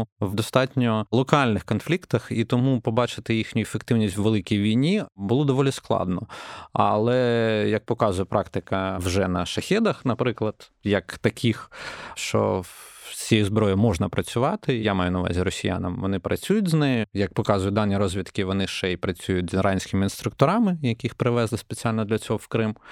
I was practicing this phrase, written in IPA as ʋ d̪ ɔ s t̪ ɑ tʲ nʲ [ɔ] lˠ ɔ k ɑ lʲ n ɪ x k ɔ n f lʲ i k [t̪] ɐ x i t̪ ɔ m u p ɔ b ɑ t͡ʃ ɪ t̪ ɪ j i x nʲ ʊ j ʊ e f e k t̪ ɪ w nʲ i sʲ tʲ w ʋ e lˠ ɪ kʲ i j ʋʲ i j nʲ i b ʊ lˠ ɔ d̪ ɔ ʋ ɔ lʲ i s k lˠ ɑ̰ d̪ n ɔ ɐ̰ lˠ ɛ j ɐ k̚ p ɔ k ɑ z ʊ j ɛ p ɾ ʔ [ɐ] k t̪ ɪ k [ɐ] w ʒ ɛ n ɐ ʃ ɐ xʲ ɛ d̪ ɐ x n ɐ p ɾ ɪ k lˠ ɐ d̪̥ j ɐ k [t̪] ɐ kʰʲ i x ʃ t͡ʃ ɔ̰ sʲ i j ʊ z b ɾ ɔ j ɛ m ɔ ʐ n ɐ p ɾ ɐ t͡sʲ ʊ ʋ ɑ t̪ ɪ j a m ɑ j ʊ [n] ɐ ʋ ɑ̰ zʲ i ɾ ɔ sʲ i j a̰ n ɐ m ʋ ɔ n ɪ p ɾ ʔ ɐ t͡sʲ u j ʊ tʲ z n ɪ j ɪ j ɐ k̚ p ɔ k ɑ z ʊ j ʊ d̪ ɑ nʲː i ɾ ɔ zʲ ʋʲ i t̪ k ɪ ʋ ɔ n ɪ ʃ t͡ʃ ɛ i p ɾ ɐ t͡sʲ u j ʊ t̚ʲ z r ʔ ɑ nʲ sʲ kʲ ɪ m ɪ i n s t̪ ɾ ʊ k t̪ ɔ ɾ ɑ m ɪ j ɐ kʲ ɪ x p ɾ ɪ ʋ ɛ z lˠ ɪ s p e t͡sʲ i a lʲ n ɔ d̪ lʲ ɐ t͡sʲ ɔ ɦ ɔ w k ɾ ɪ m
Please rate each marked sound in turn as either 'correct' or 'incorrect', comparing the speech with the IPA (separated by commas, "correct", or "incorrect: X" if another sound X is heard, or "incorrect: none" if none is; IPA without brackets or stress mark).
correct, correct, incorrect: ɑ, correct, correct, correct